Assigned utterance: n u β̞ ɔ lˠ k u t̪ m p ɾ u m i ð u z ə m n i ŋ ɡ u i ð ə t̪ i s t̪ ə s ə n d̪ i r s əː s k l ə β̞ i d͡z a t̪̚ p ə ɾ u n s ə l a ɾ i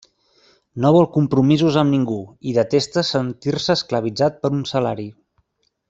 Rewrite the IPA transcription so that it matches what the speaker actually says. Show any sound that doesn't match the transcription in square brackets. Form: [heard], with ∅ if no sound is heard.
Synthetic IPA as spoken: n [o] β̞ ɔ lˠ k u [∅] m p ɾ u m i [z] u z ə m n i ŋ ɡ u i ð ə t̪ [e] s t̪ ə s ə n [t̪] i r s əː s k l ə β̞ i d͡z a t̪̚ p ə ɾ u n s ə l a ɾ i